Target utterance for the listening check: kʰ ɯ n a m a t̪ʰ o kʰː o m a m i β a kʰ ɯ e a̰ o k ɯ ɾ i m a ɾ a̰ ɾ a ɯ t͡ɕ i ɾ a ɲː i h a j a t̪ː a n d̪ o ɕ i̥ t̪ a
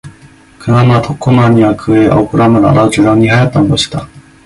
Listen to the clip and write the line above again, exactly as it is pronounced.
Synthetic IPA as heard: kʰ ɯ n a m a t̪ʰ o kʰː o m a ɲ i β a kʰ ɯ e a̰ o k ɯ ɾ a m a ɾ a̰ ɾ a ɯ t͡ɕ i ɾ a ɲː i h a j a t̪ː a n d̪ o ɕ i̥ t̪ a